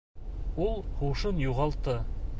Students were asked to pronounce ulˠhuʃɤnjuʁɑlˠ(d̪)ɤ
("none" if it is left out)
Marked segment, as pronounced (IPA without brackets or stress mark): t̪